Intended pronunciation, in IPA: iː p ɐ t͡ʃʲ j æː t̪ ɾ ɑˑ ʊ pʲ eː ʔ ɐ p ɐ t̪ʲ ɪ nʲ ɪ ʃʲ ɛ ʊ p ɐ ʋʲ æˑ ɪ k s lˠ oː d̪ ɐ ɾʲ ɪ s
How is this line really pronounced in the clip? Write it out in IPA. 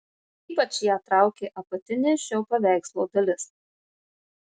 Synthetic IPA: iː p ɐ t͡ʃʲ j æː t̪ ɾ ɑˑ ʊ kʲ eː ʔ ɐ p ɐ t̪ʲ ɪ nʲ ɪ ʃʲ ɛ ʊ p ɐ ʋʲ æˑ ɪ k s lˠ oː d̪ ɐ lʲ ɪ s